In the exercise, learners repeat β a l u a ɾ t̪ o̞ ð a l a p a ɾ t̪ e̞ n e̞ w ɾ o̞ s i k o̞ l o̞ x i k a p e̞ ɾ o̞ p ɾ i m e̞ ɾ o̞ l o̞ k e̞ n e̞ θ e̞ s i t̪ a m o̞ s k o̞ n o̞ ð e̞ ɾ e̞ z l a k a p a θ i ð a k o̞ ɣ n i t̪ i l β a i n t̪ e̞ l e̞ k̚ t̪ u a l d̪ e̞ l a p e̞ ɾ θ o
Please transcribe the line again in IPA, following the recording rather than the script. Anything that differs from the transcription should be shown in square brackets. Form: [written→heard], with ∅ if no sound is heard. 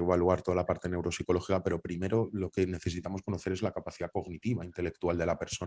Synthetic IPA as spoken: β a l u a ɾ t̪ o̞ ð a l a p a ɾ t̪ e̞ n e̞ w ɾ o̞ s i k o̞ l o̞ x i k a p e̞ ɾ o̞ p ɾ i m e̞ ɾ o̞ l o̞ k e̞ n e̞ θ e̞ s i t̪ a m o̞ s k o̞ n o̞ [ð→θ] e̞ ɾ e̞ z l a k a p a θ i ð a k o̞ ɣ n i t̪ i [l→∅] β a i n t̪ e̞ l e̞ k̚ t̪ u a l d̪ e̞ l a p e̞ ɾ [θ→s] o